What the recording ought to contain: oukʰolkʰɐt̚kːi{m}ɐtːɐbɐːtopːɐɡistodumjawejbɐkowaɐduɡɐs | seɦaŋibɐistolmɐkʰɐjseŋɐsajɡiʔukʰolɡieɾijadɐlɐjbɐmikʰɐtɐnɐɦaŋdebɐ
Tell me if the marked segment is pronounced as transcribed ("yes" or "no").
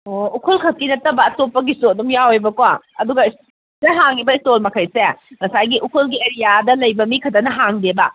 no